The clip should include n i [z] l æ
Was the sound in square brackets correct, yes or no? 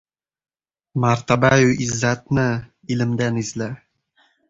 yes